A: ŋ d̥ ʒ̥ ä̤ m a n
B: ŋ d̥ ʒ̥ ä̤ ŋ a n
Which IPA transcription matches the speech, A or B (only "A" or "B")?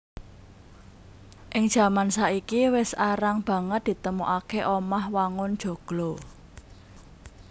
A